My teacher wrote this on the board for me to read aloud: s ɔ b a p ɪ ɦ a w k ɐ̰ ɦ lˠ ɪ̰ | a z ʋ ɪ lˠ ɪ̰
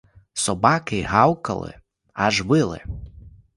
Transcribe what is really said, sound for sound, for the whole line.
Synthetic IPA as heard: s ɔ b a k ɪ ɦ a w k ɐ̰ lˠ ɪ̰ | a ʒ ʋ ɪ lˠ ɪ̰

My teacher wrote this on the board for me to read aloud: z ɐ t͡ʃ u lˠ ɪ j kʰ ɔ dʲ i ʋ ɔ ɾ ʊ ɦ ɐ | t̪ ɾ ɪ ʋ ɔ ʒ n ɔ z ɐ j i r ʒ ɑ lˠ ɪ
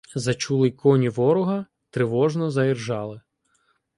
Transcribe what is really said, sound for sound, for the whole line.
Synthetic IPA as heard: z ɐ t͡ʃ u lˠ ɪ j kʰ ɔ nʲ i ʋ ɔ ɾ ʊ ɦ ɐ | t̪ ɾ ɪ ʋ ɔ ʒ n ɔ z ɐ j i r ʒ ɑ lˠ ɪ

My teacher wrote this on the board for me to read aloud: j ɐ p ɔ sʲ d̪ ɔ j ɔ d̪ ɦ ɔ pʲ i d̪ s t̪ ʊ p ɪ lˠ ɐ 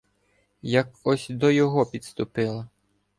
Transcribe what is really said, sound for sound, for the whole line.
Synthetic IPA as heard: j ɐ k ɔ sʲ d̪ ɔ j ɔ ɦ ɔ pʲ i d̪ s t̪ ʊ p ɪ lˠ ɐ

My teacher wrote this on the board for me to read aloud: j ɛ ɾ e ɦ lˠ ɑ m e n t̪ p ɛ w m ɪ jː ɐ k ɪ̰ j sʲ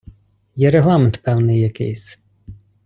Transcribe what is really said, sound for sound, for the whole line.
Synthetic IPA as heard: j ɛ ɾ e ɦ lˠ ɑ m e n t̪ p ɛ w n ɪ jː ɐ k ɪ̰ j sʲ

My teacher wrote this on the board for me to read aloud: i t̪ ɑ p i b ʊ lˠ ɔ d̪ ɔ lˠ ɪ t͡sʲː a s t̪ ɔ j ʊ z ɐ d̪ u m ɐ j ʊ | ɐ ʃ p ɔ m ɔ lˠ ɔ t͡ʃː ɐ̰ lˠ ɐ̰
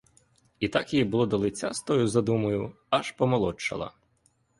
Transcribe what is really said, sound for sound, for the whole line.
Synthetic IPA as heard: i t̪ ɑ k i b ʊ lˠ ɔ d̪ ɔ lˠ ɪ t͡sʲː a s t̪ ɔ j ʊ z ɐ d̪ u m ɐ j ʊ | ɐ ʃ p ɔ m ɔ lˠ ɔ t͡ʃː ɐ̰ lˠ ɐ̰

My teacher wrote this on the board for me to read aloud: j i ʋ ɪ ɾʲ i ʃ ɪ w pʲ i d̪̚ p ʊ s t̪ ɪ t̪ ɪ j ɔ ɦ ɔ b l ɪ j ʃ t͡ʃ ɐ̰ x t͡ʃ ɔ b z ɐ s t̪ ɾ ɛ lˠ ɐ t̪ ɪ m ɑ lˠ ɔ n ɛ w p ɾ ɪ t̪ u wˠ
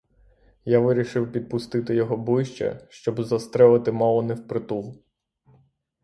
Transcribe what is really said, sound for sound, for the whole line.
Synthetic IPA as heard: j a ʋ ɪ ɾʲ i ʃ ɪ w pʲ i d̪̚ p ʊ s t̪ ɪ t̪ ɪ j ɔ ɦ ɔ b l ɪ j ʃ t͡ʃ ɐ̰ ʃ t͡ʃ ɔ b z ɐ s t̪ ɾ ɛ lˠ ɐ t̪ ɪ m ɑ lˠ ɔ n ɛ w p ɾ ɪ t̪ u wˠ

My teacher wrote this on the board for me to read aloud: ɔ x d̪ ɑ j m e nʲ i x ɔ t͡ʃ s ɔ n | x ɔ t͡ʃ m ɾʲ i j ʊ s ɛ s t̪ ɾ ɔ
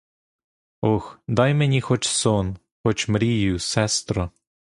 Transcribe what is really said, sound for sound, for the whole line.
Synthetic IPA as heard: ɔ x d̪ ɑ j m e nʲ i x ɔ t͡ʃ s ɔ n | x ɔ t͡ʃ m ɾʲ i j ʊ s ɛ s t̪ ɾ ɔ

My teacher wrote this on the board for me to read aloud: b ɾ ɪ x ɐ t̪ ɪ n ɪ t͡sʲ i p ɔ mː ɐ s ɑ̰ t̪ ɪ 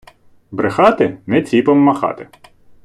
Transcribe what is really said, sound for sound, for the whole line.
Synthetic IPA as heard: b ɾ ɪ x ɑ t̪ ɪ n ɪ t͡sʲ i p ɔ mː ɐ x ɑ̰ t̪ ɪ

